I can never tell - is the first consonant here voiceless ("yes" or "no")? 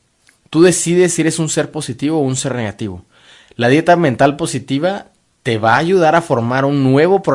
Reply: yes